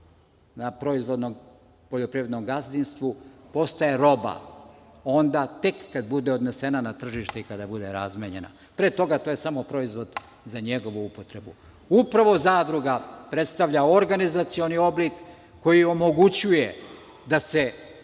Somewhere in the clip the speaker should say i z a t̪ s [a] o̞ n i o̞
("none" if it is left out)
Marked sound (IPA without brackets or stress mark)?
i